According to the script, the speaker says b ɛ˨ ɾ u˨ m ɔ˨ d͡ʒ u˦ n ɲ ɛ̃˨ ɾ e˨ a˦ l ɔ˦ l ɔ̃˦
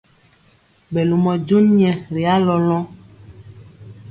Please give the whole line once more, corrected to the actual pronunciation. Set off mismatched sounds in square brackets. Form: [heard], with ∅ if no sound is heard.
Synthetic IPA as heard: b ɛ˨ [l] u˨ m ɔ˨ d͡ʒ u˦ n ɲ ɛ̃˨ ɾ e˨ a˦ l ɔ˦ l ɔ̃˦